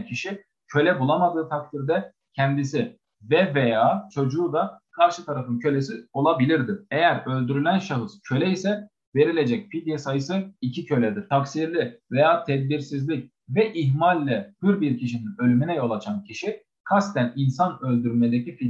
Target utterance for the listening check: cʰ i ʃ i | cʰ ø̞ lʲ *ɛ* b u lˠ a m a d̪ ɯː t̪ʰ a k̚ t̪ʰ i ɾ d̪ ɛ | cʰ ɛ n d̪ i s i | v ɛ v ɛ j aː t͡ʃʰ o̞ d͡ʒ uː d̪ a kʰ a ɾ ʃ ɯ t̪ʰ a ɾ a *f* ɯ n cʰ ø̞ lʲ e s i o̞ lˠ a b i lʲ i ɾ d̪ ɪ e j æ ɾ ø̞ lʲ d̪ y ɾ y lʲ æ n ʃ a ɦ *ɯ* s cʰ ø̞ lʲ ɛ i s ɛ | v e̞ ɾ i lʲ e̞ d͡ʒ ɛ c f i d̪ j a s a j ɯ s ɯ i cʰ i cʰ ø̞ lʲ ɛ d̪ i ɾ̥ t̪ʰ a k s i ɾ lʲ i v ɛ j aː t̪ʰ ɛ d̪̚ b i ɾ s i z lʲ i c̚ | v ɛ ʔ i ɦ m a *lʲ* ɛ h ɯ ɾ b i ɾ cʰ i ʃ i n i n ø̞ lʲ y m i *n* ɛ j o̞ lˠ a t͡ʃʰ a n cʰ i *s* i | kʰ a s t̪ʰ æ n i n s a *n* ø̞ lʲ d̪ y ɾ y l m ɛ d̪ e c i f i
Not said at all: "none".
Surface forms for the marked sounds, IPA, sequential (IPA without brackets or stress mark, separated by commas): ɛ, f, ɯ, lʲː, n, ʃ, n